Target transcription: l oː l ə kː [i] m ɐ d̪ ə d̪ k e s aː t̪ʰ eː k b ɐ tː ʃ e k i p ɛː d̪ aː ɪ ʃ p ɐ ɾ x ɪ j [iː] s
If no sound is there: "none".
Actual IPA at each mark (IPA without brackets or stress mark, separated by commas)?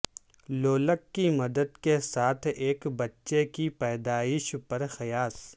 i, aː